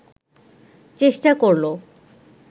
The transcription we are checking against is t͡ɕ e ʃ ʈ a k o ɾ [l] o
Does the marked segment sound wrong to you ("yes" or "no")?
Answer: no